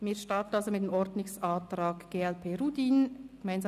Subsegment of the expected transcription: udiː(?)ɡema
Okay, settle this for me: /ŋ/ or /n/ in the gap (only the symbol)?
n